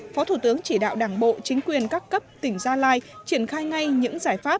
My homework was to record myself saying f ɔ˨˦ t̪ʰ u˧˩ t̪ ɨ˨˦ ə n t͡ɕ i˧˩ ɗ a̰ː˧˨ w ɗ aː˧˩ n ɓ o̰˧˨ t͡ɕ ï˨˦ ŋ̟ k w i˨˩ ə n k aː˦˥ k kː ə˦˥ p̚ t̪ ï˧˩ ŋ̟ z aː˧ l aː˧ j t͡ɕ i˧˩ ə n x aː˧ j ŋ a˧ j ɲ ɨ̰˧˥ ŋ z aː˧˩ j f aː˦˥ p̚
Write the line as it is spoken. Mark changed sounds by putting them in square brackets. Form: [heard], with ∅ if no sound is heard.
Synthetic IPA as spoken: f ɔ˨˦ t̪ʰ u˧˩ t̪ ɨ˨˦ ə [ŋ] t͡ɕ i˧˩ ɗ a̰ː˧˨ w ɗ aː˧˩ [ŋ] ɓ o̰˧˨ t͡ɕ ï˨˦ ŋ̟ k w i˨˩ ə n k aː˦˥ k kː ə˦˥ p̚ t̪ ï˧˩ ŋ̟ z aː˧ l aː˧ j t͡ɕ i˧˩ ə n x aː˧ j ŋ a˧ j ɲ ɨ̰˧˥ ŋ z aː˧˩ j f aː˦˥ p̚